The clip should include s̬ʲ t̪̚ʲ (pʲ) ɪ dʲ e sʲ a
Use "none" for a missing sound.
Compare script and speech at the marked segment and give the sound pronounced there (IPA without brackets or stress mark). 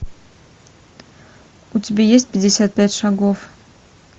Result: pʲ